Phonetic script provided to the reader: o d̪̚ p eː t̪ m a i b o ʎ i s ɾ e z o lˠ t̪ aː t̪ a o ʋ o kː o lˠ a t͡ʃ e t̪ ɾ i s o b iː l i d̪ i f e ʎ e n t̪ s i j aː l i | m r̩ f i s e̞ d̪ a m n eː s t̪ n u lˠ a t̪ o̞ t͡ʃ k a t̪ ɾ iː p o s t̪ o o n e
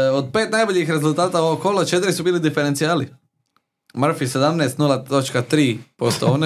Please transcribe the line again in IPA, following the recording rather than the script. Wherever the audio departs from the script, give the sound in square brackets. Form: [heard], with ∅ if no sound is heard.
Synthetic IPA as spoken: o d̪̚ p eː t̪ [n] a [j] b o ʎ i [x] ɾ e z [u] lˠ t̪ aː t̪ a o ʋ o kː o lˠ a t͡ʃ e t̪ ɾ i s [u] b iː l i d̪ i f e [ɾ] e n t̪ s i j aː l i | m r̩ f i s e̞ d̪ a m n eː s t̪ n u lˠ a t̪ o̞ t͡ʃ k a t̪ ɾ iː p o s t̪ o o n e